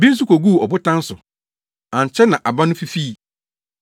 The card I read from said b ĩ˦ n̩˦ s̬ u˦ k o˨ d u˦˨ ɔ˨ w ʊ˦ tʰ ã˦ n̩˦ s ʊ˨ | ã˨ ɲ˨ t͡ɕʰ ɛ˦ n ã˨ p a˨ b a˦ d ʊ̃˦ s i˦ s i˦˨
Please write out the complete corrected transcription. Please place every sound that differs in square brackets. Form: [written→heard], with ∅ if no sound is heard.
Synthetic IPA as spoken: b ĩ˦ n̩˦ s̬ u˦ k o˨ [d→ɡ] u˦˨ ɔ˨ [w→b] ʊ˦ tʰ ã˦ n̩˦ s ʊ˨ | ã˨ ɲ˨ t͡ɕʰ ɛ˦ n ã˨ [p→ʔ] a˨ b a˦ [d→n] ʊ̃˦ [s→f] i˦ [s→f] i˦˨